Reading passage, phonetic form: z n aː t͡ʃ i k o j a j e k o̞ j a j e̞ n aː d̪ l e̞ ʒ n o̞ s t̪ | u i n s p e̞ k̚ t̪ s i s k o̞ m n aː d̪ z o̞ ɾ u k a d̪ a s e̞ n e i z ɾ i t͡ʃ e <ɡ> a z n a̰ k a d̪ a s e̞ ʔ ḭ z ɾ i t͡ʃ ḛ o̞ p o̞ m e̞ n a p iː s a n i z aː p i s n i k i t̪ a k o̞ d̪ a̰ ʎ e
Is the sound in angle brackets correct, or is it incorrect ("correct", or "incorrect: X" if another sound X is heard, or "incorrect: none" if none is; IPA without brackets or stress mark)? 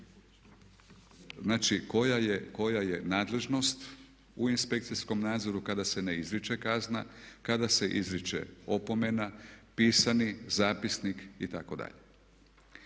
incorrect: k